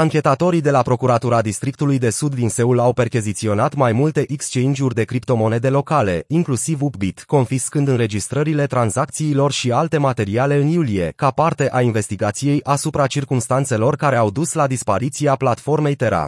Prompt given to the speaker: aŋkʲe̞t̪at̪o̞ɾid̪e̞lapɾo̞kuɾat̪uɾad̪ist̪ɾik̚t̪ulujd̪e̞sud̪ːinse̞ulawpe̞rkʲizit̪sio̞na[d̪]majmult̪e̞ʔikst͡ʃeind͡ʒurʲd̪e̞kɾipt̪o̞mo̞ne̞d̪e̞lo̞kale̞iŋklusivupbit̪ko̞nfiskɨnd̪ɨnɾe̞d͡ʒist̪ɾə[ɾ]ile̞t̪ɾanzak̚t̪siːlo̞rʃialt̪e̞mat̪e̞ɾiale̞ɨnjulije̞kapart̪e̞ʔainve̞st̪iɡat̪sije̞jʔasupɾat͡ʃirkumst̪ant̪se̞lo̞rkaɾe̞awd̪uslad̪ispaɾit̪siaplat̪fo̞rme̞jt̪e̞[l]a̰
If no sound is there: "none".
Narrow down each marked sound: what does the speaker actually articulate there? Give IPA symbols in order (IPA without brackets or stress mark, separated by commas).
t̪, ɾ, ɾ